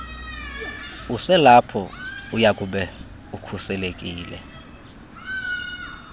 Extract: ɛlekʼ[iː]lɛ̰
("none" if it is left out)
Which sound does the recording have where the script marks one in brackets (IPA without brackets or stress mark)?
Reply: iː